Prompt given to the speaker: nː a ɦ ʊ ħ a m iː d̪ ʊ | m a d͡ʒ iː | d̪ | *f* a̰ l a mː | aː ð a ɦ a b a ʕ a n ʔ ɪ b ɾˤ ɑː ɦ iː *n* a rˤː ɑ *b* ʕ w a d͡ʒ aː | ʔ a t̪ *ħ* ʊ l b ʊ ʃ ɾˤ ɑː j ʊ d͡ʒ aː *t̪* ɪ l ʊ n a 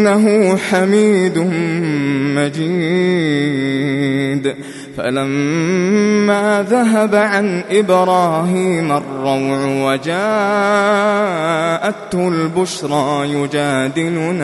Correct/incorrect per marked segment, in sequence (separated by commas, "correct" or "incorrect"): correct, incorrect, incorrect, incorrect, incorrect